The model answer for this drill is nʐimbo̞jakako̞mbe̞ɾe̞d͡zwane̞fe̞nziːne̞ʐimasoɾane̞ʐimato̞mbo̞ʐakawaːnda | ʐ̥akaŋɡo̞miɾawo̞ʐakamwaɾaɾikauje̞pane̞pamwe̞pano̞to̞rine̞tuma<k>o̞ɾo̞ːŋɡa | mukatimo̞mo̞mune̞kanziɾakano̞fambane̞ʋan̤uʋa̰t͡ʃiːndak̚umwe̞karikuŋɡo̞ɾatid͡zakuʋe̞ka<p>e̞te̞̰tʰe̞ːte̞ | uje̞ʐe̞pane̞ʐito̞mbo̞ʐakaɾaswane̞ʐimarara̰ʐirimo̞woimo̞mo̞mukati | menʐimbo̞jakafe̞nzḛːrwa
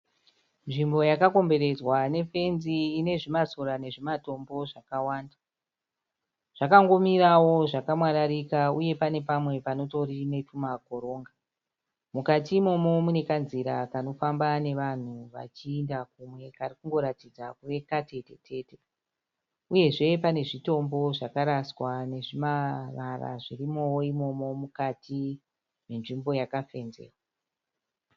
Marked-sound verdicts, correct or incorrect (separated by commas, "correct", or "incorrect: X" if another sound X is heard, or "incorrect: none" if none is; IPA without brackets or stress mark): correct, incorrect: t